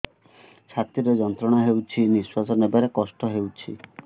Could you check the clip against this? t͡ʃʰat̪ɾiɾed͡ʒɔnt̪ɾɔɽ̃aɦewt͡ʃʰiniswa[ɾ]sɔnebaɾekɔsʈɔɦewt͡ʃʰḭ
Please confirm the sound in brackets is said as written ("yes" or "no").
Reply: no